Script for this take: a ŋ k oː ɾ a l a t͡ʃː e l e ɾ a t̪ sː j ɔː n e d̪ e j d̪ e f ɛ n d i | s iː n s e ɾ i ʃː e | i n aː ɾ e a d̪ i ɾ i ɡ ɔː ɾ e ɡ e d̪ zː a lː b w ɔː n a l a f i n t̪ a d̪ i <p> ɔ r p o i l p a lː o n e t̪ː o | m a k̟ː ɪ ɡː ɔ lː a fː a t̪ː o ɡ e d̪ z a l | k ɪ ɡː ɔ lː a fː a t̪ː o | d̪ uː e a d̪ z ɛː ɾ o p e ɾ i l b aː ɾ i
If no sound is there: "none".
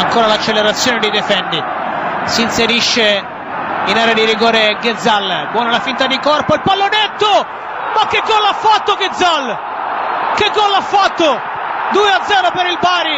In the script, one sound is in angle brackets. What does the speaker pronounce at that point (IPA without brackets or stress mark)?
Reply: k